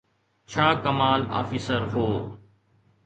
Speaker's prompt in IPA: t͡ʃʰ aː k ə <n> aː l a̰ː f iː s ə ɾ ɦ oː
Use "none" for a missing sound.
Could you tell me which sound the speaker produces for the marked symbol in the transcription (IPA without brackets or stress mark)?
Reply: m